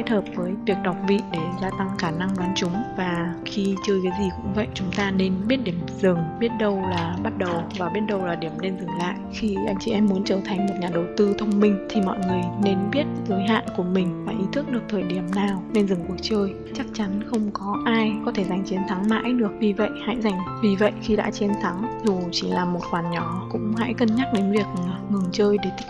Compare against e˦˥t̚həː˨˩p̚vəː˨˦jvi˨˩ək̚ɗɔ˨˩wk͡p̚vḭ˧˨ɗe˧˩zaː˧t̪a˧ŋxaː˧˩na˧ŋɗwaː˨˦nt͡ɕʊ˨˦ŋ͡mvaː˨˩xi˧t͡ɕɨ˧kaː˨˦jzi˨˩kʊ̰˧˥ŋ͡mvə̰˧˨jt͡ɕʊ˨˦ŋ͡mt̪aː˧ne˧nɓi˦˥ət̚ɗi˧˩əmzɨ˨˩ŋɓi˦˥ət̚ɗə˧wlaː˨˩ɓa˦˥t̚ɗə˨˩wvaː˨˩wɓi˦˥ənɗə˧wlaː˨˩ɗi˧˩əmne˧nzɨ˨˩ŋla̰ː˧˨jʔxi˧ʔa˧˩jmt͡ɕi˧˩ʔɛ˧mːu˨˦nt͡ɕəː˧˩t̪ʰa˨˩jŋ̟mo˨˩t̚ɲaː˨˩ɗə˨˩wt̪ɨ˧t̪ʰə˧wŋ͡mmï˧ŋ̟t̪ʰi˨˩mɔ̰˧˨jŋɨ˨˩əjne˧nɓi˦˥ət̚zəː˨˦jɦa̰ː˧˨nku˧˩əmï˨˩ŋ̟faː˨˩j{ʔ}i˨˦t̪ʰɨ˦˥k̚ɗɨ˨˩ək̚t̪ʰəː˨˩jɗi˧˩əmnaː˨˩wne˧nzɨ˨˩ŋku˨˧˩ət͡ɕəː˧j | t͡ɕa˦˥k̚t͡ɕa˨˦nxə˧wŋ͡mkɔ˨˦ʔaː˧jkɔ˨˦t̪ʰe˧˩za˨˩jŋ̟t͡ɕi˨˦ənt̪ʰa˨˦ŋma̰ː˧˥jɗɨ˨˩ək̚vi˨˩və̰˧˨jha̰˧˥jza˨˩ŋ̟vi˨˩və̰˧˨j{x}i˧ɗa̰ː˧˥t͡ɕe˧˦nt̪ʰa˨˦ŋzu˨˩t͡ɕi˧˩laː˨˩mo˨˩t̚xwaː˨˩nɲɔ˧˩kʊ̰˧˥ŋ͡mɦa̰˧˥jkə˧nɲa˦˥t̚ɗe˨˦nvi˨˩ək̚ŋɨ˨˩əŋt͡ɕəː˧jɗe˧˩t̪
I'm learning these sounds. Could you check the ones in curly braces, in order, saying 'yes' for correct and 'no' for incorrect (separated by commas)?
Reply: yes, yes